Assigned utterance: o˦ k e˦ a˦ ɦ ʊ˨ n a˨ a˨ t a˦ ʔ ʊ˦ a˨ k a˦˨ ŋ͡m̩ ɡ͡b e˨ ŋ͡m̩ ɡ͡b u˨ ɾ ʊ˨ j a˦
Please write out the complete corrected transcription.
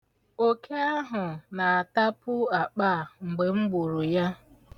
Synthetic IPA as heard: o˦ k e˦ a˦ ɦ ʊ˨ n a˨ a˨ t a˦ p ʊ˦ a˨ k͡p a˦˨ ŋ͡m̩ ɡ͡b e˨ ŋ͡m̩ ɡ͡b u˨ ɾ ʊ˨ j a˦